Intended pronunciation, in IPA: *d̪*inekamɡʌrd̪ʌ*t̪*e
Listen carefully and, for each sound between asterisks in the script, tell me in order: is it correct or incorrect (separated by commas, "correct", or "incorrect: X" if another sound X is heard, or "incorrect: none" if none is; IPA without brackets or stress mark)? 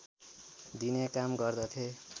correct, incorrect: t̪ʰ